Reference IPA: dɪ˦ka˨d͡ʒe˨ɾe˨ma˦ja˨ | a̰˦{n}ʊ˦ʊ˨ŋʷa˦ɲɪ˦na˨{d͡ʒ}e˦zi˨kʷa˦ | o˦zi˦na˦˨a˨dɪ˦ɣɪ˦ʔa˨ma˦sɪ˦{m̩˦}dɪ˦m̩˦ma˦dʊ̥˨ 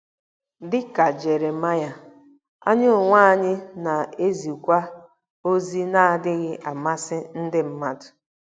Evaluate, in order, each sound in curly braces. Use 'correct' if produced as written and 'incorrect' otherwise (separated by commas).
incorrect, incorrect, incorrect